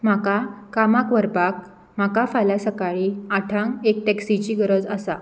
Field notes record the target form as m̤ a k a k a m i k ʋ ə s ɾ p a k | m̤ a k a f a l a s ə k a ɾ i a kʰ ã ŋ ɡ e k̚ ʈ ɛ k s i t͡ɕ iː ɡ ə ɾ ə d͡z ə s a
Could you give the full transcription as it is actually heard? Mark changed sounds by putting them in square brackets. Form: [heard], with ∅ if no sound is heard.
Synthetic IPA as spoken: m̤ a k a k a m [a] k ʋ ə [∅] ɾ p a k | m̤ a k a f a l a s ə k a [ɭ] i a [ʈʰ] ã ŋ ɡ e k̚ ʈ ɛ k s i t͡ɕ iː ɡ ə ɾ ə d͡z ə s a